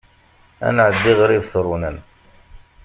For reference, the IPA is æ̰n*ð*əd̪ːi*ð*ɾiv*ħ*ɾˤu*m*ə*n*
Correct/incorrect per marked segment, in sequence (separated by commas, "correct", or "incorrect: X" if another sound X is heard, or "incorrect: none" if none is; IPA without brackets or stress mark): incorrect: ʕ, incorrect: ʁ, incorrect: θ, incorrect: n, correct